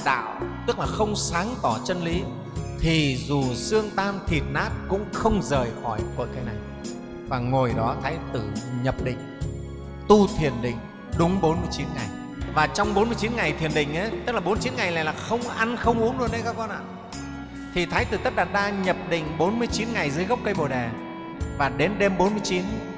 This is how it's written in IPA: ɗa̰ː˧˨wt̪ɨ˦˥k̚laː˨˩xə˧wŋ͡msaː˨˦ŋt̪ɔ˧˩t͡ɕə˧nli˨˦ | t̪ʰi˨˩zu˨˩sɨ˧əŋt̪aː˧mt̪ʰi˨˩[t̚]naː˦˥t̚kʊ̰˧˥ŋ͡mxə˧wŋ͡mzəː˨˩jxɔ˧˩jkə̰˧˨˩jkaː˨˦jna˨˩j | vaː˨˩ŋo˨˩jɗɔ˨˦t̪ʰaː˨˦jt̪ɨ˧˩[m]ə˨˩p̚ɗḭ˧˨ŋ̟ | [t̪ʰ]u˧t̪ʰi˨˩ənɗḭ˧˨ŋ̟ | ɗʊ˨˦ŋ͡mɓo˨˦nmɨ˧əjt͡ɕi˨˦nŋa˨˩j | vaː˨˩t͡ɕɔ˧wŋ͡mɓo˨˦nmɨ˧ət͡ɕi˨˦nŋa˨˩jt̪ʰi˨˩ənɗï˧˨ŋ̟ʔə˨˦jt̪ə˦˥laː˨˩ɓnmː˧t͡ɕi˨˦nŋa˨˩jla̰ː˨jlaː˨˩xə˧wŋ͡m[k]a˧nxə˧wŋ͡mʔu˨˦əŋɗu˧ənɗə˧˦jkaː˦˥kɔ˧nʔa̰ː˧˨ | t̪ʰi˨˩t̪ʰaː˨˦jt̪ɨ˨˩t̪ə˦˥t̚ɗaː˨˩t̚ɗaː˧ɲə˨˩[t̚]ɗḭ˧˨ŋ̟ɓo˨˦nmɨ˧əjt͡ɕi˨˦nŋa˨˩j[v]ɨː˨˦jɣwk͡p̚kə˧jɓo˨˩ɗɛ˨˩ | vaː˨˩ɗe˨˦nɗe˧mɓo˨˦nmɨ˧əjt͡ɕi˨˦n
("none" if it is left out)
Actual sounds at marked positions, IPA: t̚, ɲ, t̪, ʔ, p̚, z

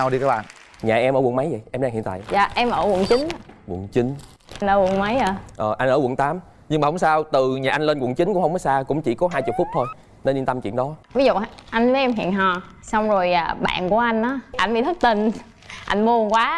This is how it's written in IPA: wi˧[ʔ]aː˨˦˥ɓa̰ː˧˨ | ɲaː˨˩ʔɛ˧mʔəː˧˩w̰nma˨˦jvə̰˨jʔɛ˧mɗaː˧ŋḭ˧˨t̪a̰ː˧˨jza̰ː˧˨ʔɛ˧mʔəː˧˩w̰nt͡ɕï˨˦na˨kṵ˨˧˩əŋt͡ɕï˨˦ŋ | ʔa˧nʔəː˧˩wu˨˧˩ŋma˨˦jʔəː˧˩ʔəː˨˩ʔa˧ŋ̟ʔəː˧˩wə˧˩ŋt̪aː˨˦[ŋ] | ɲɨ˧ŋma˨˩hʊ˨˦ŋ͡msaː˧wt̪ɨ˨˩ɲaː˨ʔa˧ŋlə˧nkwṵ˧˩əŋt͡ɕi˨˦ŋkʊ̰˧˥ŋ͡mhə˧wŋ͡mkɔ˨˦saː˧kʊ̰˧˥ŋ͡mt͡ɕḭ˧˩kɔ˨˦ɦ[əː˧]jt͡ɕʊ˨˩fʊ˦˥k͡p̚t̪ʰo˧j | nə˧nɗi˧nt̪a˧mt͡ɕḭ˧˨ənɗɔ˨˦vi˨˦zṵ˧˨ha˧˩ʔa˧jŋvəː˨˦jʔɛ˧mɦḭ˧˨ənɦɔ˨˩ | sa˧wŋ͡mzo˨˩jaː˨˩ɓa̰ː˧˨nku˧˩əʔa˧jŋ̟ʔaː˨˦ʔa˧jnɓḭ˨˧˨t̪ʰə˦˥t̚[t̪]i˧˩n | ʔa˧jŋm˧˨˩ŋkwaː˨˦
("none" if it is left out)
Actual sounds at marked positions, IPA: k, m, aː˧, t̪

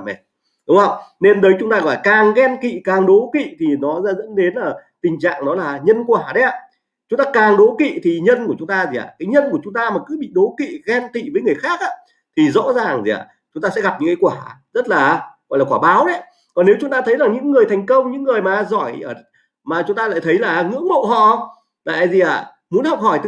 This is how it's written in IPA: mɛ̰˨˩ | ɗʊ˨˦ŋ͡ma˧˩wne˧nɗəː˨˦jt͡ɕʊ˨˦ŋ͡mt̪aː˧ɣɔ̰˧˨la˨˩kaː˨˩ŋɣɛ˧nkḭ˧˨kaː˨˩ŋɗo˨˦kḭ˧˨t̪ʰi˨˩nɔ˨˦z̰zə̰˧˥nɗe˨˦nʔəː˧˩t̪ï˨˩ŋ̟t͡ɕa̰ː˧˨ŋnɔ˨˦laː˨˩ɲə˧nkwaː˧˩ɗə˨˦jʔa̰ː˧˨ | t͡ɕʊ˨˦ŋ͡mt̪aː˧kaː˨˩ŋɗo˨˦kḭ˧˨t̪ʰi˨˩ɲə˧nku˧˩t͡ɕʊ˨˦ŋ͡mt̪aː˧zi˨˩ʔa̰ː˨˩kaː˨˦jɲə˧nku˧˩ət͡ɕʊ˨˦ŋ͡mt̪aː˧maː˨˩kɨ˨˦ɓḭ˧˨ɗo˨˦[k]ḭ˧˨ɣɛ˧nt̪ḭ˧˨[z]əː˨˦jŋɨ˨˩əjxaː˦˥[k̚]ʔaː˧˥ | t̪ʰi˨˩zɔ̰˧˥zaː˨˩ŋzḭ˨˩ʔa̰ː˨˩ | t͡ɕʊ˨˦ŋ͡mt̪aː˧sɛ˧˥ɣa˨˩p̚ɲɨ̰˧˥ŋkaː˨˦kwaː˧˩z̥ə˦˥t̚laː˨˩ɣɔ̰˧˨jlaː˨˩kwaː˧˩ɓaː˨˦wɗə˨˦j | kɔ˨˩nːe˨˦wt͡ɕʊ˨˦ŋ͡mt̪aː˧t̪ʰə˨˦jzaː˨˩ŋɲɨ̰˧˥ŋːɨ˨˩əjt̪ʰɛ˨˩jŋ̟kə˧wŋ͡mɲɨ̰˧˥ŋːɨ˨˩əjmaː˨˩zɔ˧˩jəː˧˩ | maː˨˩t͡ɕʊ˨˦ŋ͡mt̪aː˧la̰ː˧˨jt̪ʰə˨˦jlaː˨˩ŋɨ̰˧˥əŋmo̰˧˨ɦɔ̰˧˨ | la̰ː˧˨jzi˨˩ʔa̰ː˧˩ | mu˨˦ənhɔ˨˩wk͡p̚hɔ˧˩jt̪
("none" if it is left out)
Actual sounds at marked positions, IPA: k, v, k̚

